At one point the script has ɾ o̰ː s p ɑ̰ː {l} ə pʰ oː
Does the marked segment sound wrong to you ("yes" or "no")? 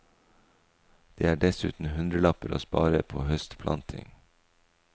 yes